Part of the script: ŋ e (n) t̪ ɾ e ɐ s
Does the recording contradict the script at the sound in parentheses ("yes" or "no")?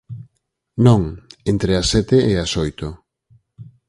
no